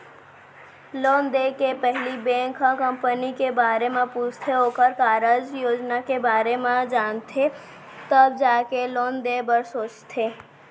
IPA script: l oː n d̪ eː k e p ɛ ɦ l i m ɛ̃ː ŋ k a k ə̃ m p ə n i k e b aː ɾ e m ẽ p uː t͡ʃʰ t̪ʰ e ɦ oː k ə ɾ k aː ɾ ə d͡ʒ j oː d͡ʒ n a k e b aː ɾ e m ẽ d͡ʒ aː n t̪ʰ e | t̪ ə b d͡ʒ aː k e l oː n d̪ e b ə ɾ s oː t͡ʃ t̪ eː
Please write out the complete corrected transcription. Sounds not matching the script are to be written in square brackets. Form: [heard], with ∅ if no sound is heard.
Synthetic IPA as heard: l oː n d̪ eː k e p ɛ ɦ l i [b] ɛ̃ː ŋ k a k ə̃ m p ə n i k e b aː ɾ e m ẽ p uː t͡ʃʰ t̪ʰ e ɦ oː k ə ɾ k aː ɾ ə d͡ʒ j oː d͡ʒ n a k e b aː ɾ e m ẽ d͡ʒ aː n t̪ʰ e | t̪ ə b d͡ʒ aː k e l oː n d̪ e b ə ɾ s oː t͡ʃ [t̪ʰ] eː